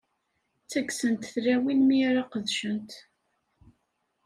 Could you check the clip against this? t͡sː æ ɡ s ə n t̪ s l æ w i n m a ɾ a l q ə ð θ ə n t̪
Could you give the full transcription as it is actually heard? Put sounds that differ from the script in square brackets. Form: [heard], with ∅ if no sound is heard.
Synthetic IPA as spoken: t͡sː æ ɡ s ə n t̪ [θ] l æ w i n m [i] ɾ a [∅] q ə ð [ʃ] ə n t̪

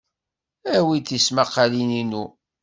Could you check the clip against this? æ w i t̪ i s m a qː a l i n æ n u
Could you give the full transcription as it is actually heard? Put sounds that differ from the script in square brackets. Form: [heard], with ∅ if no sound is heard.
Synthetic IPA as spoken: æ w i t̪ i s m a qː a l i n [i] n u

